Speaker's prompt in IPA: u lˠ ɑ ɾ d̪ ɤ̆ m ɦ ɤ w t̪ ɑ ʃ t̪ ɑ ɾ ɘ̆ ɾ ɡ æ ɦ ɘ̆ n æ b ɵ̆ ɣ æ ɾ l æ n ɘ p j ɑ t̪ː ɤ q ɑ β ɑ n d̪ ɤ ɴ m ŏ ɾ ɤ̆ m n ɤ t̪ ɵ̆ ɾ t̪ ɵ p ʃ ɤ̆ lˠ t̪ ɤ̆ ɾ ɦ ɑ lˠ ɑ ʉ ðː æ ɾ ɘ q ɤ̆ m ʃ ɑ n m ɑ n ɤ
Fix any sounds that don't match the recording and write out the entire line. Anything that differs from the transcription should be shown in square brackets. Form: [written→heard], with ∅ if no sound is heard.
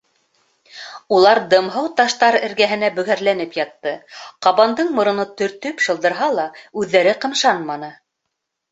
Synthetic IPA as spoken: u lˠ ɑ ɾ d̪ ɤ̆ m ɦ ɤ w t̪ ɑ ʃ t̪ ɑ ɾ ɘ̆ ɾ ɡ æ ɦ ɘ̆ n æ b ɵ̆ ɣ æ ɾ l æ n ɘ p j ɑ t̪ː ɤ q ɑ β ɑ n d̪ ɤ ɴ m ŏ ɾ ɤ̆ [m→∅] n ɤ t̪ ɵ̆ ɾ t̪ ɵ p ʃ ɤ̆ lˠ [t̪→d̪] ɤ̆ ɾ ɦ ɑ lˠ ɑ ʉ ðː æ ɾ ɘ q ɤ̆ m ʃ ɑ n m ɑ n ɤ